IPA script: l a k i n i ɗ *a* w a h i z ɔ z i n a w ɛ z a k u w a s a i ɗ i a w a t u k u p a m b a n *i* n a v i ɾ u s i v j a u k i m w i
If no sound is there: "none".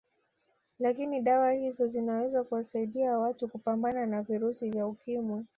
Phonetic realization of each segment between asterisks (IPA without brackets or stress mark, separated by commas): a, a